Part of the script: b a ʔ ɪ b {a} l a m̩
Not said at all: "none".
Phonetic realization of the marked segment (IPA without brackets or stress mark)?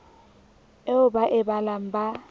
a